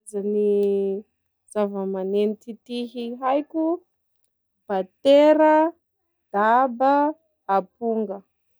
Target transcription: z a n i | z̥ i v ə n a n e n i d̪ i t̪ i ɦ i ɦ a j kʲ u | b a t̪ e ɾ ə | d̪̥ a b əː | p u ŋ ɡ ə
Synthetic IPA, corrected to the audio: z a n i | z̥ a v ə m a n e n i t̪ i t̪ i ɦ i ɦ a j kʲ u | b a t̪ e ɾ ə | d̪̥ a b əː | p u ŋ ɡ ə